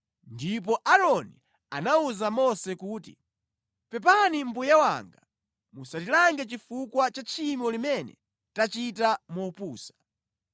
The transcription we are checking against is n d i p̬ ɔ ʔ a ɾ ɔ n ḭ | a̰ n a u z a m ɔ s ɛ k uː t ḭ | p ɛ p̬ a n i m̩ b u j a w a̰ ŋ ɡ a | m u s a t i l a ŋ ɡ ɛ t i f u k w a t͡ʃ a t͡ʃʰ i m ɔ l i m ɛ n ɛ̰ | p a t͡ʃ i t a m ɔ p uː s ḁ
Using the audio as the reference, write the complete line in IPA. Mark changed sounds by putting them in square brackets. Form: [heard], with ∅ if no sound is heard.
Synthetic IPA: n d i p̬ ɔ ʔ a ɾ ɔ n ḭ | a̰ n a u z a m ɔ s ɛ k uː t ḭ | p ɛ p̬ a n i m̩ b u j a w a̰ ŋ ɡ a | m u s a t i l a ŋ ɡ ɛ [t͡ʃ] i f u k w a t͡ʃ a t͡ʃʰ i m ɔ l i m ɛ n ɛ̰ | [t] a t͡ʃ i t a m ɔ p uː s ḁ